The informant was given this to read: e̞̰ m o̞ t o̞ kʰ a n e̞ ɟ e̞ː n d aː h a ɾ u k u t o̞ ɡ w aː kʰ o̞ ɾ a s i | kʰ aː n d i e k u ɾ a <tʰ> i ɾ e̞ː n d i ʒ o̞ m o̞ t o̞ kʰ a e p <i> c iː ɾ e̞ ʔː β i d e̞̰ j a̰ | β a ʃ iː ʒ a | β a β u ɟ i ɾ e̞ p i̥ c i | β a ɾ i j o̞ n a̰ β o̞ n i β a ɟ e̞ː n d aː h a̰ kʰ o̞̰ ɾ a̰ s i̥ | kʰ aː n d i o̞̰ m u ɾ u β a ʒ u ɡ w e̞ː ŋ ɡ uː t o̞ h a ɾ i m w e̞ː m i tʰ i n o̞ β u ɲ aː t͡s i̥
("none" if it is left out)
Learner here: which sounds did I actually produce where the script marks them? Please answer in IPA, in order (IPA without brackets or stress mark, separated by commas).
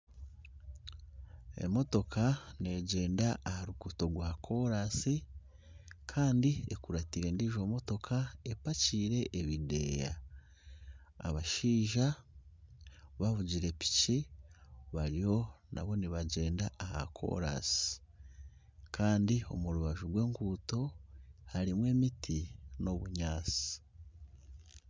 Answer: t, a